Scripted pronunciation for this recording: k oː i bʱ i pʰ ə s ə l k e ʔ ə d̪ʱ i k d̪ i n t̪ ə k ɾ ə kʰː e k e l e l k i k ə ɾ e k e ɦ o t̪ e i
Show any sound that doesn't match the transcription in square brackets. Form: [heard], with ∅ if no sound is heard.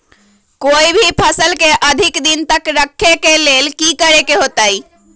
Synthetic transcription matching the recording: k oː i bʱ i pʰ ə s ə l k e ʔ ə d̪ʱ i k d̪ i n t̪ ə k ɾ ə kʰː e k e l e l k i k ə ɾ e k e ɦ o t̪ [a] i